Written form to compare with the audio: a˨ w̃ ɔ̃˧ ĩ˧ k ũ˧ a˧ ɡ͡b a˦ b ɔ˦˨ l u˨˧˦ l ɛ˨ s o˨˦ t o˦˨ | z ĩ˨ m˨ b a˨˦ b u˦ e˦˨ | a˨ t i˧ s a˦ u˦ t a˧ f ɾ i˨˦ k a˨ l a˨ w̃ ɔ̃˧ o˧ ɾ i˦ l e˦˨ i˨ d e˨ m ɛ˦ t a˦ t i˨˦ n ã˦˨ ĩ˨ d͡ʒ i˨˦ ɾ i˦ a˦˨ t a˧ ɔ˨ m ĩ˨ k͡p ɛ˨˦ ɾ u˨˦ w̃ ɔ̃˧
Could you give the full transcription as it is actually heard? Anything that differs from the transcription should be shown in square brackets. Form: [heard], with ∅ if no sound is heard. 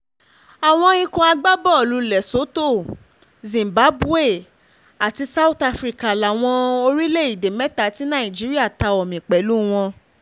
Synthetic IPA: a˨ w̃ ɔ̃˧ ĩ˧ k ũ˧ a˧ ɡ͡b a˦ b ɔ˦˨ l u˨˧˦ l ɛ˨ s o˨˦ t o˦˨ | z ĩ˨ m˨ b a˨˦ b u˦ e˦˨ | a˨ t i˧ s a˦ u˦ t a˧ f ɾ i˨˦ k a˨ l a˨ w̃ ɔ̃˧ o˧ ɾ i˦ l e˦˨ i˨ d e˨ m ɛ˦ t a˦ t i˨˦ n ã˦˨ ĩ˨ d͡ʒ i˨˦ ɾ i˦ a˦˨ t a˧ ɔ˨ m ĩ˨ k͡p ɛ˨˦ [l] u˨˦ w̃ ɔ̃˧